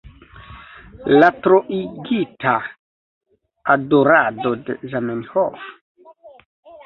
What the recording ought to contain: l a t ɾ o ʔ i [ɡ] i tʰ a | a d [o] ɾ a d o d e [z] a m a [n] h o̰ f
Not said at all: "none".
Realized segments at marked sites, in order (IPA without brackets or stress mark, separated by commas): ɡ, o, z, n